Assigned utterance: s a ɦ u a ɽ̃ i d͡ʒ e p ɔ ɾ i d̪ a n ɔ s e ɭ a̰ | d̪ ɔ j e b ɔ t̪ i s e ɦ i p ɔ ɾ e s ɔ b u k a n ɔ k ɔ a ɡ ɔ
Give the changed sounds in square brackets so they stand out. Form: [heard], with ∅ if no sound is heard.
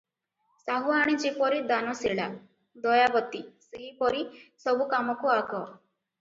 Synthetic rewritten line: s a ɦ u a ɽ̃ i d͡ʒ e p ɔ ɾ i d̪ a n ɔ s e ɭ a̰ | d̪ ɔ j [a] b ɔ t̪ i s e ɦ i p ɔ ɾ [i] s ɔ b u k a [m] ɔ k [u] a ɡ ɔ